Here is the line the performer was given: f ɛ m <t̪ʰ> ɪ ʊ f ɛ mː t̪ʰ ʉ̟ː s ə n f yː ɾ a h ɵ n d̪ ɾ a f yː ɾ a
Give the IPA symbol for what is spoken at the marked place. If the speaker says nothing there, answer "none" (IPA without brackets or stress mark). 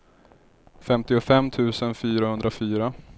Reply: t̪